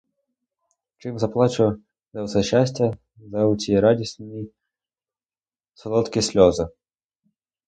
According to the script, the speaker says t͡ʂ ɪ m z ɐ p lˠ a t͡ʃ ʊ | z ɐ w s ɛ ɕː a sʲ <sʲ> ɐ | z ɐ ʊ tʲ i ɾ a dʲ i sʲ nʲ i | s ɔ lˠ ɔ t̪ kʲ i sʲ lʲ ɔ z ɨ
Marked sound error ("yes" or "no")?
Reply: yes